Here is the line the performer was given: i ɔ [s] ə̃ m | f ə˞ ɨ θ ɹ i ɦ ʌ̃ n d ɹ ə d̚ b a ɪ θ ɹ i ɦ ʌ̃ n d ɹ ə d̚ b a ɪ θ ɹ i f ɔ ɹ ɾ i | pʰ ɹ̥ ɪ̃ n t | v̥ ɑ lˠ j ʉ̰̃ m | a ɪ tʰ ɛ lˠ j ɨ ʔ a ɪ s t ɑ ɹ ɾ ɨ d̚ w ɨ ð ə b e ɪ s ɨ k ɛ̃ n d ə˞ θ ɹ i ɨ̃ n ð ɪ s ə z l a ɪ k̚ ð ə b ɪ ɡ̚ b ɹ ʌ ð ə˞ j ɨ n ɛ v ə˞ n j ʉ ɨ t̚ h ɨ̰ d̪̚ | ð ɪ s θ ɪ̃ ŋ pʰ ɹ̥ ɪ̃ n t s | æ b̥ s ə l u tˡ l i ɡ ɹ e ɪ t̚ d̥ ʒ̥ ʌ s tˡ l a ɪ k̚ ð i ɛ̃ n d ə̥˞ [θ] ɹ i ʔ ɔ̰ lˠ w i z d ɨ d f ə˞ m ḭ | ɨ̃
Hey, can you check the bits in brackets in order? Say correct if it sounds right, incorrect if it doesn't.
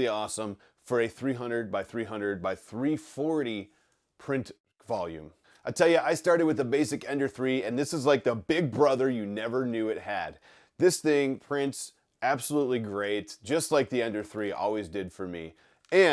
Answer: correct, correct

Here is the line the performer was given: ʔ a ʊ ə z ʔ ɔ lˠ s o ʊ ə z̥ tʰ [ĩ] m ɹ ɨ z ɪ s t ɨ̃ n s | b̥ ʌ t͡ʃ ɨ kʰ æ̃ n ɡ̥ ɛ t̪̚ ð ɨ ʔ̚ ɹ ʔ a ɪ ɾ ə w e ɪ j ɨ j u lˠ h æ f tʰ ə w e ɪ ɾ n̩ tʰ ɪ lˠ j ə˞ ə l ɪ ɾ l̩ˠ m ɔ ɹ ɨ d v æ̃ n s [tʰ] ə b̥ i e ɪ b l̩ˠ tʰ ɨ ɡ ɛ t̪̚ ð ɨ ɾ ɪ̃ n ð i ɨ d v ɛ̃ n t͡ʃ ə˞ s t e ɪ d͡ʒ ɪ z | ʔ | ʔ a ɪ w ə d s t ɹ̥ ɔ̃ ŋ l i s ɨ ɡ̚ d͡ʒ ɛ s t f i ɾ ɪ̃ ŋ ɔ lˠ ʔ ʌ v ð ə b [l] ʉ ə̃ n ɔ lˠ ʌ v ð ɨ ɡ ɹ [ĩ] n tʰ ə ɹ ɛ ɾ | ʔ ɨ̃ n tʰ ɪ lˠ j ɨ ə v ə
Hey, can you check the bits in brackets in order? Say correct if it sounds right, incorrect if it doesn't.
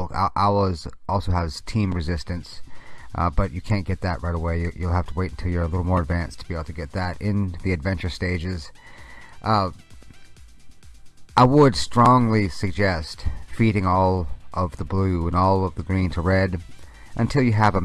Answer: correct, correct, correct, correct

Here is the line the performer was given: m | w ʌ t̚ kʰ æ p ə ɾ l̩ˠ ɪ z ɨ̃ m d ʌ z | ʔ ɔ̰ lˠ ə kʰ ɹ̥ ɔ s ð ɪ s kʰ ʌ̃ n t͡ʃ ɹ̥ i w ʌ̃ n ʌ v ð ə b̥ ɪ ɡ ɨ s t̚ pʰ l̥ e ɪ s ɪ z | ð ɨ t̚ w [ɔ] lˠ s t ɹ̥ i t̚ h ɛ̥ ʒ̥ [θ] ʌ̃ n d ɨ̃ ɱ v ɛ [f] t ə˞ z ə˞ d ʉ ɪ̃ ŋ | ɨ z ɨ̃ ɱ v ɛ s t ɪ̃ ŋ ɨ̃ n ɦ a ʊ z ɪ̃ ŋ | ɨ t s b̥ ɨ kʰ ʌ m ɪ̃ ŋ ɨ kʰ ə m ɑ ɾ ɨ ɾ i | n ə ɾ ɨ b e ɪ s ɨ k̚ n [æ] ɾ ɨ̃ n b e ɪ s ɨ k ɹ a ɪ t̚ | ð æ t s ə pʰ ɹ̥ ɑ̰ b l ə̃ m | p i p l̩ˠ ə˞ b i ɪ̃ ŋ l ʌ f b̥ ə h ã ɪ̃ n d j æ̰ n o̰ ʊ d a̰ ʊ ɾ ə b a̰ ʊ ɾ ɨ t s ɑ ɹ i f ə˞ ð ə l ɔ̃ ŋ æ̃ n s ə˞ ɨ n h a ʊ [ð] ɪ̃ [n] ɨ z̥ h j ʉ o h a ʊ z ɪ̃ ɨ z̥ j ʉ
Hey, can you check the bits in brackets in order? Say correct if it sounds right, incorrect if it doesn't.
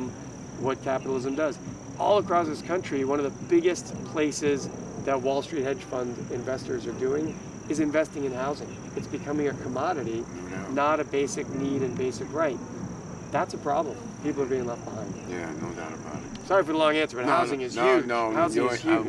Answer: correct, incorrect: f, incorrect: s, incorrect: i, incorrect: z, incorrect: ŋ

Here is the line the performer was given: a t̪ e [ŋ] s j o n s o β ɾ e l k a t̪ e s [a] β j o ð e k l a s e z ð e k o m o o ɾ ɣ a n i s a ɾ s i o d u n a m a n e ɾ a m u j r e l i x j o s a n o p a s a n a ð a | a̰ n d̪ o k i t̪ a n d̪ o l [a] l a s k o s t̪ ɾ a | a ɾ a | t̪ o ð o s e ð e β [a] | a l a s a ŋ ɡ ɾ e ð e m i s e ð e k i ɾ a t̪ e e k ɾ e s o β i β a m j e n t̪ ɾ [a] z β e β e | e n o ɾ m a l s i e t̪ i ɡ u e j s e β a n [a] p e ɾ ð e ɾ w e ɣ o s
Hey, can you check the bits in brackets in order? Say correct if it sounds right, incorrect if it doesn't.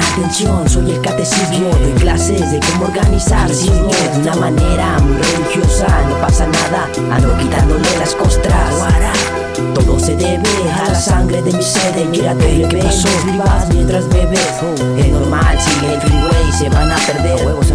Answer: incorrect: n, incorrect: i, incorrect: e, incorrect: e, correct, correct

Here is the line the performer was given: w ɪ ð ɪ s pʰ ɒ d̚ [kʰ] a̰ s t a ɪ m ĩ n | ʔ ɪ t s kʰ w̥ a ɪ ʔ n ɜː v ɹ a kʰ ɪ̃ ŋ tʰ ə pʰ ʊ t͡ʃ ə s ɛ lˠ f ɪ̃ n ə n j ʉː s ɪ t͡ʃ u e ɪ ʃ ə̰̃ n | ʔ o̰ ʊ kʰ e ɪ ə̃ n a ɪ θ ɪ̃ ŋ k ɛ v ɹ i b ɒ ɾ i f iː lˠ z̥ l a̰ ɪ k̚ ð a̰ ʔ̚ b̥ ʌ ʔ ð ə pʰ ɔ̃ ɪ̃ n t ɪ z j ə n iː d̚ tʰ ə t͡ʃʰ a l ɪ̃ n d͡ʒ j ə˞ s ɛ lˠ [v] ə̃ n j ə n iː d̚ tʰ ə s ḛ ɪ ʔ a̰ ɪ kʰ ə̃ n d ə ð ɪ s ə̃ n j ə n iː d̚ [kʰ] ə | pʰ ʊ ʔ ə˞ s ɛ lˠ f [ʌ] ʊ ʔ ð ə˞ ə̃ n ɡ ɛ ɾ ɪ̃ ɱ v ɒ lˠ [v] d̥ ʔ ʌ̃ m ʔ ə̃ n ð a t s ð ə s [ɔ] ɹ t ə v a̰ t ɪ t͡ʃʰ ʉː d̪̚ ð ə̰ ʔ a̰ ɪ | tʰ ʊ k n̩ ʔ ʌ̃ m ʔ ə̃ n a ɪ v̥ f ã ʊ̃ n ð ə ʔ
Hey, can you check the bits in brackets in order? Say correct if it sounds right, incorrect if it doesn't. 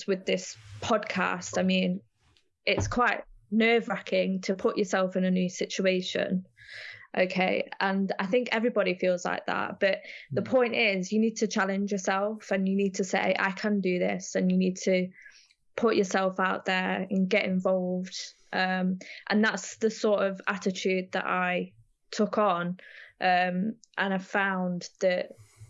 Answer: correct, incorrect: f, incorrect: tʰ, incorrect: a, correct, correct

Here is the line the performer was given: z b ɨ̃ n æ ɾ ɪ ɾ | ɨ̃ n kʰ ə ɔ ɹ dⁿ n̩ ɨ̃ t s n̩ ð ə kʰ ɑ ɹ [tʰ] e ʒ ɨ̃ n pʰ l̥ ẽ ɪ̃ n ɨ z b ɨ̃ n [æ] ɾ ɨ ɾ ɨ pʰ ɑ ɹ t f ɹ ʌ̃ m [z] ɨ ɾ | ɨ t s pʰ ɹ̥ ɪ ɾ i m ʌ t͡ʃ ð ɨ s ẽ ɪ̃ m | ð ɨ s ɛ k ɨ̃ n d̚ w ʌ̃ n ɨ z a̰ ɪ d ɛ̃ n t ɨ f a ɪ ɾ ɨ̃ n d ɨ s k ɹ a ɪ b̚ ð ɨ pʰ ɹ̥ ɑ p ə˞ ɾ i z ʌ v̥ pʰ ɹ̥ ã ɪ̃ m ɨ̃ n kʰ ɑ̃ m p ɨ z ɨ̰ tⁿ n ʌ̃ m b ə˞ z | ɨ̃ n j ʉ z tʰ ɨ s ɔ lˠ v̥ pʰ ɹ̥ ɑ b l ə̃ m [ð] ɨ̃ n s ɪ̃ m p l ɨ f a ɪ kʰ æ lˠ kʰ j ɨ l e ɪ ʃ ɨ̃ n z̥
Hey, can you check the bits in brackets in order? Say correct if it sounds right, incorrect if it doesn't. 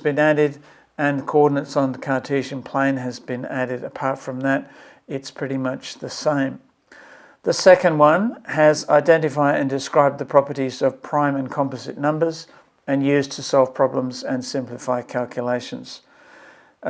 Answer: correct, correct, incorrect: ð, incorrect: z

